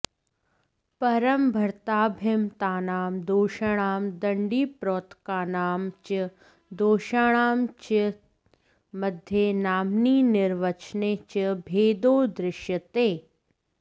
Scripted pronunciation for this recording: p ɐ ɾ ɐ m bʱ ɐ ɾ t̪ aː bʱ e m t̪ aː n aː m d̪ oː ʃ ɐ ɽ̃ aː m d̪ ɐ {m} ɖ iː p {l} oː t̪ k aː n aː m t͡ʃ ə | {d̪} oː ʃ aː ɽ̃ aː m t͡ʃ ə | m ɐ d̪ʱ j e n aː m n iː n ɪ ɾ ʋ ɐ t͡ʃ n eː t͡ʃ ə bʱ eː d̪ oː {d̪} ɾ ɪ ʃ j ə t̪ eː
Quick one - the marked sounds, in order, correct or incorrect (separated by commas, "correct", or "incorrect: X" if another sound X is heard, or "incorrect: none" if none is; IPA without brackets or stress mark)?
incorrect: ɳ, incorrect: ɾ, correct, correct